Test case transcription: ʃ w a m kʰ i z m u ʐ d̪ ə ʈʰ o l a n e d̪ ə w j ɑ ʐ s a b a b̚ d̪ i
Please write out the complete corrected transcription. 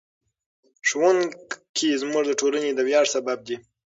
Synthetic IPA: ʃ w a n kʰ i z m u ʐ d̪ ə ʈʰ o l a n e d̪ ə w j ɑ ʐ s a b a b̚ d̪ i